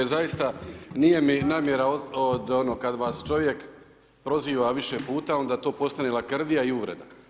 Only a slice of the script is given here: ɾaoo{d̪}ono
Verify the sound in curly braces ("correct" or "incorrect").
correct